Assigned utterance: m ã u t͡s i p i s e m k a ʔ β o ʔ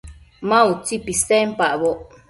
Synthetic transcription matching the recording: m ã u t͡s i p i s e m p a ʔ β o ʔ